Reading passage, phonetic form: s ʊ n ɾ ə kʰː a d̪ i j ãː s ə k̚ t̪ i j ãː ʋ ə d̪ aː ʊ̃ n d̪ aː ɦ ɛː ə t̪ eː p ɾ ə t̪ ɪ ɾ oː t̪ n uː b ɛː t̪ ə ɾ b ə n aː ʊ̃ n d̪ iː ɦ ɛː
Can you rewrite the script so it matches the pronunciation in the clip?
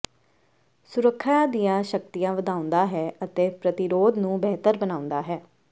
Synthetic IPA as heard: s ʊ ɾ ə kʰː a d̪ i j ãː ʃ ə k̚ t̪ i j ãː ʋ ə d̪ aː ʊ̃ n d̪ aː ɦ ɛː ə t̪ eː p ɾ ə t̪ ɪ ɾ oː d̪ n ũː b ɛː t̪ ə ɾ b ə n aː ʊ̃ n d̪ aː ɦ ɛː